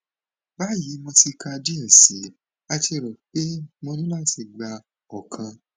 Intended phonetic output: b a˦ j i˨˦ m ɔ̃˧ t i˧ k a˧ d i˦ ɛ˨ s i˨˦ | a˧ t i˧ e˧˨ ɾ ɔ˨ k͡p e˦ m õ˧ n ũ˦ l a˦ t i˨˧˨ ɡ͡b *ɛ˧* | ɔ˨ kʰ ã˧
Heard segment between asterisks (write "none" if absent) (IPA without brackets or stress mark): a˧